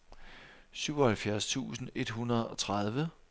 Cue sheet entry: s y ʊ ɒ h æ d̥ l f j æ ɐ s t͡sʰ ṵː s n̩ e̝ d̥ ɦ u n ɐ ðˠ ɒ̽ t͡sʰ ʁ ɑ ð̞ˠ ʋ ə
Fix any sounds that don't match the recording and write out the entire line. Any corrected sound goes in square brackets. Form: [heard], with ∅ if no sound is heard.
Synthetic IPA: s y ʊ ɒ h æ [∅] l f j æ ɐ s t͡sʰ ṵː s n̩ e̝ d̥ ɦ u n ɐ ðˠ ɒ̽ t͡sʰ ʁ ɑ ð̞ˠ ʋ ə